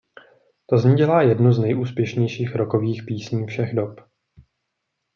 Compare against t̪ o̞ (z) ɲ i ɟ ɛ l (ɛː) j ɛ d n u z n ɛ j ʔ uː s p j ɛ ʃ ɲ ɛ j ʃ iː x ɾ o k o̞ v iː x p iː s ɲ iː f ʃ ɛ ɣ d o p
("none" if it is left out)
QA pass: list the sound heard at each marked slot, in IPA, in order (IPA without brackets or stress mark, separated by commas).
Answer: z, aː